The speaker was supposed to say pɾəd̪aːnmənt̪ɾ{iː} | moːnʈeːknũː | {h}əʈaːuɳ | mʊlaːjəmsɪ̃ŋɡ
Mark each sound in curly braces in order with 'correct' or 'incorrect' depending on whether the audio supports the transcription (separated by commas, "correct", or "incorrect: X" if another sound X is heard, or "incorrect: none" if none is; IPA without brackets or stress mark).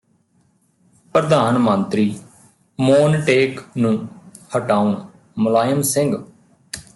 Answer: correct, correct